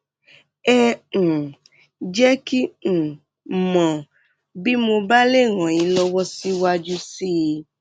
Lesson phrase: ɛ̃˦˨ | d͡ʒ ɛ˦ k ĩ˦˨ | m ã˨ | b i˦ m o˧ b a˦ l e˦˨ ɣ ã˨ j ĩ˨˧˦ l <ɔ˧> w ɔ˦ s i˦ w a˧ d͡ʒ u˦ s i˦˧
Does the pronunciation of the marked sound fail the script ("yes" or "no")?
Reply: no